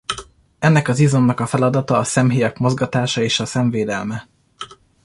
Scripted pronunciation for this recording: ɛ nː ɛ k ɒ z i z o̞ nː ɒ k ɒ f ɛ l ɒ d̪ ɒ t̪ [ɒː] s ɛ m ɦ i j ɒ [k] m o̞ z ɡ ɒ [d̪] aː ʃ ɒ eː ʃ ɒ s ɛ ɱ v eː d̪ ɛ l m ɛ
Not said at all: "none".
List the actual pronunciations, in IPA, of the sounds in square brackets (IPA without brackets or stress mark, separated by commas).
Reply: ɒː, k, t̪